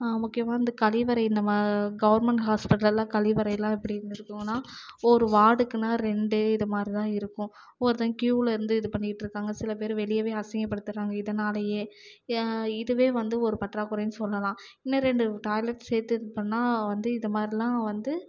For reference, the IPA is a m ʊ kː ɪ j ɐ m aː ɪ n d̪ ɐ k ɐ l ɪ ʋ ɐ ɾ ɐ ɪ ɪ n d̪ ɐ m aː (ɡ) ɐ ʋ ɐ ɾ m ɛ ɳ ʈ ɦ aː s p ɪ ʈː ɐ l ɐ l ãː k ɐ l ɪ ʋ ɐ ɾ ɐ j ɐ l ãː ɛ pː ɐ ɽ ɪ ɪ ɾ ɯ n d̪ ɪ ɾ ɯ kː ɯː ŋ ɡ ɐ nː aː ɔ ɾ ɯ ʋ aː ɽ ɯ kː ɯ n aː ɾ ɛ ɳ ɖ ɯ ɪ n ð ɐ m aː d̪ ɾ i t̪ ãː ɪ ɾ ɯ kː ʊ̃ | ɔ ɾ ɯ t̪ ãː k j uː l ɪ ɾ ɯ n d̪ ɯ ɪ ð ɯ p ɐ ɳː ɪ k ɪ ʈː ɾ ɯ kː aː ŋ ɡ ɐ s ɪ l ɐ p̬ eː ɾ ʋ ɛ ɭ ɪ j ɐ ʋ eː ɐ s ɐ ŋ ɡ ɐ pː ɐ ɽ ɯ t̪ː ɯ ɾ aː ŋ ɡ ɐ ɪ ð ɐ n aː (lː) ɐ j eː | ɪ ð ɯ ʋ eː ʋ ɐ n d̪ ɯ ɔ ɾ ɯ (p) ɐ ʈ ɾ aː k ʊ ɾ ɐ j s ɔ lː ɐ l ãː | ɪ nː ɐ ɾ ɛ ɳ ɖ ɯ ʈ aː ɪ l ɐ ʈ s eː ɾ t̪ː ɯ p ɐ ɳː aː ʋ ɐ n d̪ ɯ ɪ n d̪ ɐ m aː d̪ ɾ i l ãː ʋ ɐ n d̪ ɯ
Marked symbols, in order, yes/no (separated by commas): yes, no, yes